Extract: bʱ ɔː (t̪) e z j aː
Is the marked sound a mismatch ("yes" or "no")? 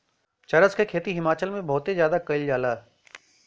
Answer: no